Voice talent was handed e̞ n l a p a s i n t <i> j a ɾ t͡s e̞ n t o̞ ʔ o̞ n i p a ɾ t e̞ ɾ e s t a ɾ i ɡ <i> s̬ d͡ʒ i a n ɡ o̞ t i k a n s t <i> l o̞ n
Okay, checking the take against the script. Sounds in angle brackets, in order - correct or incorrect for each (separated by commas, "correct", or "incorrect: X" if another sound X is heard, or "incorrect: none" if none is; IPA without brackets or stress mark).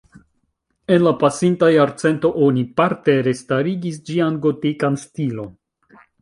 incorrect: a, correct, correct